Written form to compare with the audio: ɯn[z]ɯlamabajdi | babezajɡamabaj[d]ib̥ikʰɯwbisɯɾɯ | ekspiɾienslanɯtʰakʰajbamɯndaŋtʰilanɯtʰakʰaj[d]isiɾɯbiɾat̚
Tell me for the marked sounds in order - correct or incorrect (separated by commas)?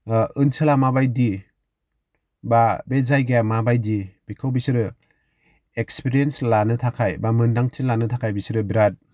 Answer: incorrect, correct, incorrect